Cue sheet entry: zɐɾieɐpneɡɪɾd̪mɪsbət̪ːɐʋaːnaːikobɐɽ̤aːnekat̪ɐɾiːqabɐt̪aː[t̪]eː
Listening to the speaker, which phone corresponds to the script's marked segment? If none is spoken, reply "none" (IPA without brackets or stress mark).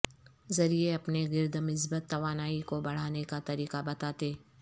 t̪